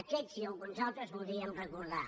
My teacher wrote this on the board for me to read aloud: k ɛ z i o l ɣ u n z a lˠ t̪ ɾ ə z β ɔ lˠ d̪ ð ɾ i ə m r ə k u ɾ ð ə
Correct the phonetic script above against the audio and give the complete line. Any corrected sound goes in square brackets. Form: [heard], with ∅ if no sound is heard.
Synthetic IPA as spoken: k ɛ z i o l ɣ u n z a lˠ t̪ ɾ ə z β [u] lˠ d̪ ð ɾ i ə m r ə k u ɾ ð [a]